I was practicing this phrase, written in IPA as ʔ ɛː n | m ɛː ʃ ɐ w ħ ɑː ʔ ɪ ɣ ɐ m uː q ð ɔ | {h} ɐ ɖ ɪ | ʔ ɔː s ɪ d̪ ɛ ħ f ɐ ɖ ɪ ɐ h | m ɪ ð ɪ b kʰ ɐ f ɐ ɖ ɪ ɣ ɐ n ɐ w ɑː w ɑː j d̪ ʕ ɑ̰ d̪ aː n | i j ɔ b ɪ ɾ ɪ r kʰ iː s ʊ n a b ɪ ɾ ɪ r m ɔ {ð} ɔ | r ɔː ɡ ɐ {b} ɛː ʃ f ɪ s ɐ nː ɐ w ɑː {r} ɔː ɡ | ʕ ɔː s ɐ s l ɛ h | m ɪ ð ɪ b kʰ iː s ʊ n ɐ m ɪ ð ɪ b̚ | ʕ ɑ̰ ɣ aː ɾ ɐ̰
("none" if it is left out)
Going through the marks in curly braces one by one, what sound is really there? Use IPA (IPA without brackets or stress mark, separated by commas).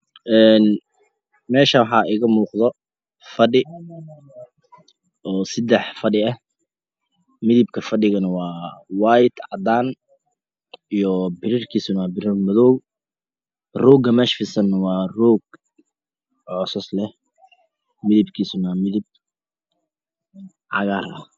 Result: f, ð, m, r